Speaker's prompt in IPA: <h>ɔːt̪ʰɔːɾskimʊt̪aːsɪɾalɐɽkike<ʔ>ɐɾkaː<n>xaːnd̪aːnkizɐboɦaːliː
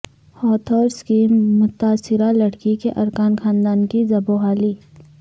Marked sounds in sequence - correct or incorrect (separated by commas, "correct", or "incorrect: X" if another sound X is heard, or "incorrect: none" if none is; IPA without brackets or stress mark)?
correct, correct, correct